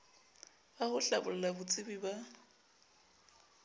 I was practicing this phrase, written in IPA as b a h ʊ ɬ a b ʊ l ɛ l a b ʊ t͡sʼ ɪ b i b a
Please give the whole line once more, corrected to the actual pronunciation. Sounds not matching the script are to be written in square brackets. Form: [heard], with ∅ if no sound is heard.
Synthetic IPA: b a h ʊ ɬ a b ʊ l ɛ l a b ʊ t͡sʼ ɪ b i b a